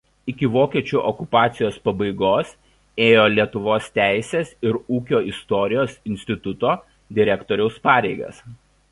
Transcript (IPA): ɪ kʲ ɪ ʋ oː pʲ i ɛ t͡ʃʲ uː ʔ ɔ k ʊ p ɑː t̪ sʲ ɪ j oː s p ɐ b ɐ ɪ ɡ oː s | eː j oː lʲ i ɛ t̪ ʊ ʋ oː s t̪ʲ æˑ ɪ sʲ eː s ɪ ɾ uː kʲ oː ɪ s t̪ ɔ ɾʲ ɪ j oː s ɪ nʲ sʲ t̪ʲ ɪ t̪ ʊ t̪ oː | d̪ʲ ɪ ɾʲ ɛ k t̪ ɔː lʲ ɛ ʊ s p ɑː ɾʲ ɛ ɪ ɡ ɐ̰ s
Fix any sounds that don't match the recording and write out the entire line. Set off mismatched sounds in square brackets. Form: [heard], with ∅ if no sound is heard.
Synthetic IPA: ɪ kʲ ɪ ʋ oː [kʲ] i ɛ t͡ʃʲ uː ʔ ɔ k ʊ p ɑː t̪ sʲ ɪ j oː s p ɐ b ɐ ɪ ɡ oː s | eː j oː lʲ i ɛ t̪ ʊ ʋ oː s t̪ʲ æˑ ɪ sʲ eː s ɪ ɾ uː kʲ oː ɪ s t̪ ɔ ɾʲ ɪ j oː s ɪ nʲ sʲ t̪ʲ ɪ t̪ ʊ t̪ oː | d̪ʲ ɪ ɾʲ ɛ k t̪ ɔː [ɾʲ] ɛ ʊ s p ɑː ɾʲ ɛ ɪ ɡ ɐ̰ s

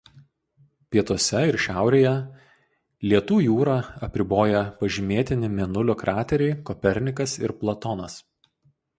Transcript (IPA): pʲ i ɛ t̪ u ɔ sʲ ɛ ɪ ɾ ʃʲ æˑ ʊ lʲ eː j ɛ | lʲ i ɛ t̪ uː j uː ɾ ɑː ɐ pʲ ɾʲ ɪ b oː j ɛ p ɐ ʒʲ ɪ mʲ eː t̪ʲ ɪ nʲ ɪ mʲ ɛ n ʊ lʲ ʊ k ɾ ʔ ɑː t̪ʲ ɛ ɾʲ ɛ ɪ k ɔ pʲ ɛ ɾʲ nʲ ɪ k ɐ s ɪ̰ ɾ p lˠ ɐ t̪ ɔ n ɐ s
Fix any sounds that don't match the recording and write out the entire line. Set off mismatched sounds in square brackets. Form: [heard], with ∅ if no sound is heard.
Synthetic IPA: pʲ i ɛ t̪ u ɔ sʲ ɛ ɪ ɾ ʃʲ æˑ ʊ [ɾʲ] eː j ɛ | lʲ i ɛ t̪ uː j uː ɾ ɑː ɐ pʲ ɾʲ ɪ b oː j ɛ p ɐ ʒʲ ɪ mʲ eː t̪ʲ ɪ nʲ ɪ mʲ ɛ n ʊ lʲ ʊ k ɾ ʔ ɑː t̪ʲ ɛ ɾʲ ɛ ɪ k ɔ pʲ ɛ ɾʲ nʲ ɪ k ɐ s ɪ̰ ɾ p lˠ ɐ t̪ ɔ n ɐ s

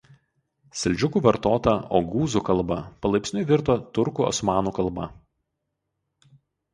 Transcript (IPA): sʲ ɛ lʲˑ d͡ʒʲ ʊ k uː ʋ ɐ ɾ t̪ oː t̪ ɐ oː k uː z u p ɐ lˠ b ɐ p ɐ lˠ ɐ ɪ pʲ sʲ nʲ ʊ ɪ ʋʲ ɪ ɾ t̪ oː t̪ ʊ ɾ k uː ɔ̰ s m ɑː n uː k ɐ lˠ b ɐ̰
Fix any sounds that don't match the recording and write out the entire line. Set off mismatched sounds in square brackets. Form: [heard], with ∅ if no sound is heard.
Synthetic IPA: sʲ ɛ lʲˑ d͡ʒʲ ʊ k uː ʋ ɐ ɾ t̪ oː t̪ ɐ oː [ɡ] uː z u [k] ɐ lˠ b ɐ p ɐ lˠ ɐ ɪ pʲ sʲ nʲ ʊ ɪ ʋʲ ɪ ɾ t̪ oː t̪ ʊ ɾ k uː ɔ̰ s m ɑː n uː k ɐ lˠ b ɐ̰

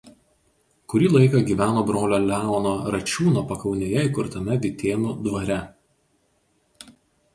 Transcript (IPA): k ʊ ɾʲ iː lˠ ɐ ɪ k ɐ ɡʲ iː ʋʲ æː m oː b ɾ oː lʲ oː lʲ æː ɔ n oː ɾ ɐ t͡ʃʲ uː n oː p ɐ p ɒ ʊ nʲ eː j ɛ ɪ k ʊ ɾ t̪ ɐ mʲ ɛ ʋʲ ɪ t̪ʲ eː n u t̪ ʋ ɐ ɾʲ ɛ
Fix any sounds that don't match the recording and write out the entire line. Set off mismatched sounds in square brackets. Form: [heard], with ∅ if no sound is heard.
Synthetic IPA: k ʊ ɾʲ iː lˠ ɐ ɪ k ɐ ɡʲ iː ʋʲ æː [n] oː b ɾ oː lʲ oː lʲ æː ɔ n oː ɾ ɐ t͡ʃʲ uː n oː p ɐ [k] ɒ ʊ nʲ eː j ɛ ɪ k ʊ ɾ t̪ ɐ mʲ ɛ ʋʲ ɪ t̪ʲ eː n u [d̪] ʋ ɐ ɾʲ ɛ

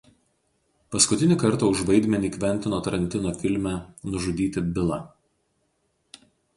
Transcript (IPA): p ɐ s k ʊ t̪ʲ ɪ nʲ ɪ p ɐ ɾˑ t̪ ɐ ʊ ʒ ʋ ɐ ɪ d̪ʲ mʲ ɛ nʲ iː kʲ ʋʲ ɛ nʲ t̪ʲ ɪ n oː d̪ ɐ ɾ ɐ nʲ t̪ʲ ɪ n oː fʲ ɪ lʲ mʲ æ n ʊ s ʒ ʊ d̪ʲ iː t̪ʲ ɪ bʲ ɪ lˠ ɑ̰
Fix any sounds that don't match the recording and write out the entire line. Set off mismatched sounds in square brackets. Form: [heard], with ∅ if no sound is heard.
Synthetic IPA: p ɐ s k ʊ t̪ʲ ɪ nʲ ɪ [k] ɐ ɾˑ t̪ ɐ ʊ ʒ ʋ ɐ ɪ d̪ʲ mʲ ɛ nʲ iː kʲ ʋʲ ɛ nʲ t̪ʲ ɪ n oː [t̪] ɐ ɾ ɐ nʲ t̪ʲ ɪ n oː fʲ ɪ lʲ mʲ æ n ʊ [∅] ʒ ʊ d̪ʲ iː t̪ʲ ɪ bʲ ɪ lˠ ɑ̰

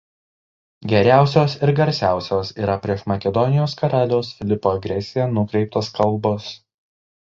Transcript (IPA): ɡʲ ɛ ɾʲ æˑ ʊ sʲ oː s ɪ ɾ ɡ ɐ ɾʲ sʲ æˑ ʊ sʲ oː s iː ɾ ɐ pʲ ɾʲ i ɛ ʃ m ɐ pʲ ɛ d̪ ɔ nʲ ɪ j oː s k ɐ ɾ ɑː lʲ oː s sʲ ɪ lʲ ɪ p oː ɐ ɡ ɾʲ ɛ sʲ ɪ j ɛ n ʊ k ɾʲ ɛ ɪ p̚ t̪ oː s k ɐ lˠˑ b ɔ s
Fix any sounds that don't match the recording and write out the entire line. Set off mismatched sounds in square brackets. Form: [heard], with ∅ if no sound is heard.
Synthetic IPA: ɡʲ ɛ ɾʲ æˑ ʊ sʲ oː s ɪ ɾ ɡ ɐ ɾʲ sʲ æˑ ʊ sʲ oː s iː ɾ ɐ pʲ ɾʲ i ɛ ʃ m ɐ [kʲ] ɛ d̪ ɔ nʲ ɪ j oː s k ɐ ɾ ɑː lʲ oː s [fʲ] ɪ lʲ ɪ p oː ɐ ɡ ɾʲ ɛ sʲ ɪ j ɛ n ʊ k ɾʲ ɛ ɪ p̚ t̪ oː s k ɐ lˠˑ b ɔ s

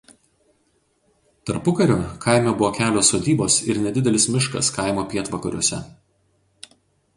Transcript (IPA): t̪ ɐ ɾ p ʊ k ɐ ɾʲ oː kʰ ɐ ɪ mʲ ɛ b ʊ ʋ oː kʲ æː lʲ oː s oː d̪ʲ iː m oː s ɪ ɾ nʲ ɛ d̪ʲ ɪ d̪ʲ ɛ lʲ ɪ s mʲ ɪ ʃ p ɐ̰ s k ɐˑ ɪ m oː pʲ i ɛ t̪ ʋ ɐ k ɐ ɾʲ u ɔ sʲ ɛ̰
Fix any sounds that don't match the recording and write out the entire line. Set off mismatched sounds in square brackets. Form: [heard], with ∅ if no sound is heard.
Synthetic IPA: t̪ ɐ ɾ p ʊ k ɐ ɾʲ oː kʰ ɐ ɪ mʲ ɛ b ʊ ʋ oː kʲ æː lʲ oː s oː d̪ʲ iː [b] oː s ɪ ɾ nʲ ɛ d̪ʲ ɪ d̪ʲ ɛ lʲ ɪ s mʲ ɪ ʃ [k] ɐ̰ s k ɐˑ ɪ m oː pʲ i ɛ t̪ ʋ ɐ k ɐ ɾʲ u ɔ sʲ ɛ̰

